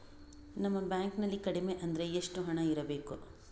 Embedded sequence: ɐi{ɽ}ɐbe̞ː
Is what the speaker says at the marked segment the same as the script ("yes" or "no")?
no